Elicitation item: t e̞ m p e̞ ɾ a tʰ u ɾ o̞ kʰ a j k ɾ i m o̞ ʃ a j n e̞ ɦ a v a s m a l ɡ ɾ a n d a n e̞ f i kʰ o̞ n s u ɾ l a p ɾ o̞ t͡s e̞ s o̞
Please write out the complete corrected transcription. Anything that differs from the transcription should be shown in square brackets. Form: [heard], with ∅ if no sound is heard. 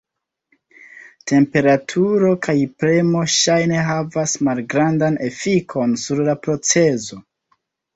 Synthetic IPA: t e̞ m p e̞ ɾ a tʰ u ɾ o̞ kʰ a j [p] ɾ [e] m o̞ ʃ a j n e̞ ɦ a v a s m a l ɡ ɾ a n d a n e̞ f i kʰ o̞ n s u ɾ l a p ɾ o̞ t͡s e̞ [z] o̞